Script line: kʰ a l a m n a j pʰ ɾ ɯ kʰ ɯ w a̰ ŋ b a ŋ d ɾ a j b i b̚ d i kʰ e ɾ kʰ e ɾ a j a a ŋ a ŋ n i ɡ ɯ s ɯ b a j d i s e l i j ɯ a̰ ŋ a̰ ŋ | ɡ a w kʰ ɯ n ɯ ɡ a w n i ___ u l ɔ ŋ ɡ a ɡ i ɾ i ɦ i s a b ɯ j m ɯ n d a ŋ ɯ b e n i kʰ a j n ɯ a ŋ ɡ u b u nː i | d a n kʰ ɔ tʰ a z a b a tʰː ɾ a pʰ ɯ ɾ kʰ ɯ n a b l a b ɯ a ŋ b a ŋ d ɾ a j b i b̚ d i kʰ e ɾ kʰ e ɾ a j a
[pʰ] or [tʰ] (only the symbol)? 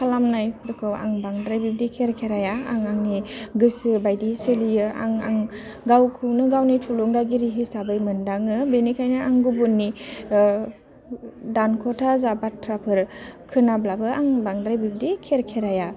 tʰ